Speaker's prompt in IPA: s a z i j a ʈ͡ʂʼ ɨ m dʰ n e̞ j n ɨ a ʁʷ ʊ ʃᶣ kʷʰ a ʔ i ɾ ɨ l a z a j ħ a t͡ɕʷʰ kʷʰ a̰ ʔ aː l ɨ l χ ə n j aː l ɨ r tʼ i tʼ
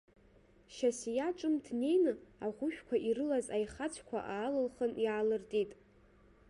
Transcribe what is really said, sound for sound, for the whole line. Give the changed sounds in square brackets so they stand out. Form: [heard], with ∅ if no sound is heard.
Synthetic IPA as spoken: [ʃ] a [s] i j a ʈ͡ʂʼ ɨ m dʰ n e̞ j n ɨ a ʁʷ ʊ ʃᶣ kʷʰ a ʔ i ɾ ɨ l a z a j [χ] a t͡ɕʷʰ kʷʰ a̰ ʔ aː l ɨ l χ ə n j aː l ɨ r tʼ i tʼ